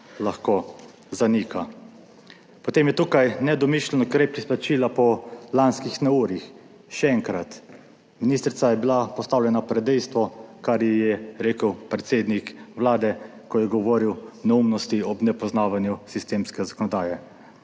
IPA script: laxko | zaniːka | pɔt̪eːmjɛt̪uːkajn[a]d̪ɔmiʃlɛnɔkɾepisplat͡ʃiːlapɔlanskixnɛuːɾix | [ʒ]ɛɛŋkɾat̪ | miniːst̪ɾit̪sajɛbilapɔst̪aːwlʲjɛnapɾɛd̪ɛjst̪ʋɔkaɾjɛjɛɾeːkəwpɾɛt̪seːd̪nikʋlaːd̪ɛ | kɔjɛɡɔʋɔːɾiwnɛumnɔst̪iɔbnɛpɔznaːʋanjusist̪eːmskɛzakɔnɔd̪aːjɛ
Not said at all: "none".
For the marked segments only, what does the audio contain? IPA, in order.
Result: ɛ, ʃ

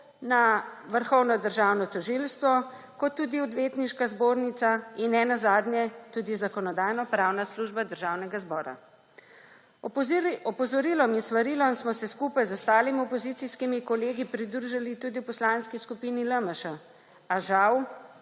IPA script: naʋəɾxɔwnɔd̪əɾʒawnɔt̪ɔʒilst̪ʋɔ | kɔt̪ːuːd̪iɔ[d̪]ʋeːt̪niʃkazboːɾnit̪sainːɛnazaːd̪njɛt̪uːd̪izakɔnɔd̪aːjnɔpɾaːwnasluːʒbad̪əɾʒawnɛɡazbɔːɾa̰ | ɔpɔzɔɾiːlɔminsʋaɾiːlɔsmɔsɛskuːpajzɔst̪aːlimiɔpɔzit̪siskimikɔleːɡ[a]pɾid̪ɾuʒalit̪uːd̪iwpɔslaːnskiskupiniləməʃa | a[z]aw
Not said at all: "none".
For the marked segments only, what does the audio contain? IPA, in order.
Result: d̪, i, ʒ

